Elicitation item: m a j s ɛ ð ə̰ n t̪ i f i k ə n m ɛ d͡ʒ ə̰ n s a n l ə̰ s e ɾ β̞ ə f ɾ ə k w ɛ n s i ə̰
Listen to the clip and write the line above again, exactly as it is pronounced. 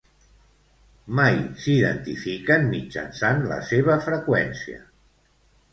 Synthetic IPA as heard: m a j s i ð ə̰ n t̪ i f i k ə n m i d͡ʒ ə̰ n s a n l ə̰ s e β̞ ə f ɾ ə k w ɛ n s i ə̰